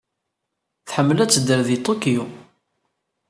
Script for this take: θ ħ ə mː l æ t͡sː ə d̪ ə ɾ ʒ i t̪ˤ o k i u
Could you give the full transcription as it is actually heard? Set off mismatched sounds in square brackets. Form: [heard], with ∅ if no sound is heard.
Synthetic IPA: θ ħ ə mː l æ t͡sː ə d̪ ə ɾ [ð] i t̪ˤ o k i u